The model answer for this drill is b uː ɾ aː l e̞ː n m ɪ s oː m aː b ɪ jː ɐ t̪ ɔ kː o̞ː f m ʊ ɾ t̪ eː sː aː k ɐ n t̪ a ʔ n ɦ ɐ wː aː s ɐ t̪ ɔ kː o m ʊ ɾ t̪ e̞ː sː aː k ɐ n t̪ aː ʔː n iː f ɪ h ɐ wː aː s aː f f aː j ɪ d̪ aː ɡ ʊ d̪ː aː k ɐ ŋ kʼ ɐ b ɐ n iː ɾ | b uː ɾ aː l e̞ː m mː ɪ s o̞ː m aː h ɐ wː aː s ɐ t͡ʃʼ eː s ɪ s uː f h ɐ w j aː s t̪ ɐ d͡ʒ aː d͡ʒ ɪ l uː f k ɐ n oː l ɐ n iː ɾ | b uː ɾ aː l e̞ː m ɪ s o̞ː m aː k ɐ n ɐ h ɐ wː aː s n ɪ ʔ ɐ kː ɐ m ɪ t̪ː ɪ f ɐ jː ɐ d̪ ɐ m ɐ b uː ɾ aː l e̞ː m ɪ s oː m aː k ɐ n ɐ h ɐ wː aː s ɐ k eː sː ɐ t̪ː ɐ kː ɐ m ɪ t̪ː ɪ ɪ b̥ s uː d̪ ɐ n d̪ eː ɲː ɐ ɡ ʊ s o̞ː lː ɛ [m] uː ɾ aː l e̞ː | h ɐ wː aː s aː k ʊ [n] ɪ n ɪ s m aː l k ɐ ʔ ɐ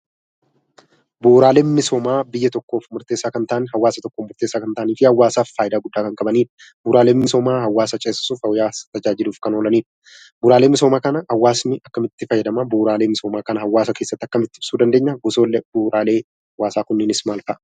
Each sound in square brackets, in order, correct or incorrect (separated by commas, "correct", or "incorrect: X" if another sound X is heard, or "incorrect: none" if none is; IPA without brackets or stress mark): incorrect: b, incorrect: nː